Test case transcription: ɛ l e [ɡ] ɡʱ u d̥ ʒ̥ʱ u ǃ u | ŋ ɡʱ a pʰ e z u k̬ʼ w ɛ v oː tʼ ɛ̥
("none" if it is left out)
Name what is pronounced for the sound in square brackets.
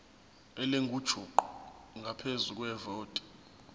ŋ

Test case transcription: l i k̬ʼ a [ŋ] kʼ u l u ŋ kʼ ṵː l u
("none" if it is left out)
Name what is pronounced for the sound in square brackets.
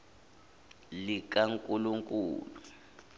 ŋ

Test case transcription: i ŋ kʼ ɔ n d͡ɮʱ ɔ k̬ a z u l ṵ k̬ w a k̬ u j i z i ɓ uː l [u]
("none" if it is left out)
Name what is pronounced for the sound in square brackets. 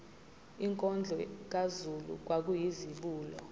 ɔ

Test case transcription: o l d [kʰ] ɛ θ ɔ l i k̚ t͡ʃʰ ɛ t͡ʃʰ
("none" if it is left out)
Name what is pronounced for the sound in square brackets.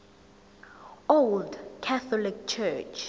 kʰ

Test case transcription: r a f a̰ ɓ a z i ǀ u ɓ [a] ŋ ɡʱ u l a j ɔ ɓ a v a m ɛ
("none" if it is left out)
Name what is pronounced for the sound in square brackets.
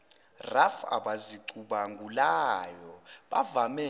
a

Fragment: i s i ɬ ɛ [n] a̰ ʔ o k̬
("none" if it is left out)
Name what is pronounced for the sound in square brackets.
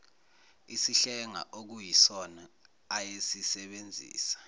ŋ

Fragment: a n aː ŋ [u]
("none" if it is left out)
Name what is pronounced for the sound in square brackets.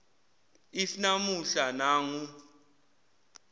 u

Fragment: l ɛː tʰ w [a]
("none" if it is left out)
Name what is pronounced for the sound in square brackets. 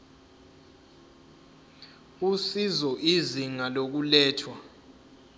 a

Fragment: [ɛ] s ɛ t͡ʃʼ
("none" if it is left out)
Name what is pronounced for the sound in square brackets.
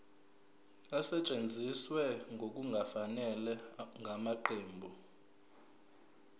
a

